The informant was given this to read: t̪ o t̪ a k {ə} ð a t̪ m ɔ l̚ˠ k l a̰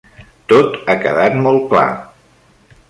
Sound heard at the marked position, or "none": ə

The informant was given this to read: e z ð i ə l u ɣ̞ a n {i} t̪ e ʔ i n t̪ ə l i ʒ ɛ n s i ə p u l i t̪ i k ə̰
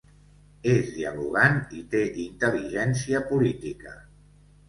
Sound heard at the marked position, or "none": i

